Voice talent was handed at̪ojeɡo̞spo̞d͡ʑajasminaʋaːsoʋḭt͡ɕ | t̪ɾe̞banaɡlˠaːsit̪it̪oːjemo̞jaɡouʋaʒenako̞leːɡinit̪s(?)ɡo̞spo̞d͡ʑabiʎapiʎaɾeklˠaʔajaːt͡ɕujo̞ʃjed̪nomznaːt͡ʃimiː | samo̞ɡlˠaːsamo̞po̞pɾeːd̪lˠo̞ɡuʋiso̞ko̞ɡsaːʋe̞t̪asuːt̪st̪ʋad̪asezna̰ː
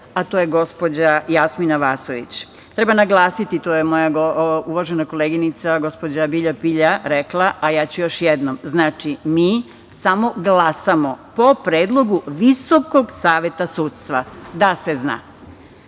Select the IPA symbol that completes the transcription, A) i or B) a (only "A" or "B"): B